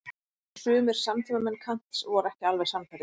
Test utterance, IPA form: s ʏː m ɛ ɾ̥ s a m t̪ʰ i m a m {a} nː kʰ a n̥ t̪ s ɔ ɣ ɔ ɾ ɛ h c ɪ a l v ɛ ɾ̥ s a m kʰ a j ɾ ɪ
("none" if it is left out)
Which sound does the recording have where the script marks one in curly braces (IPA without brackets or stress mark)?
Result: ɛ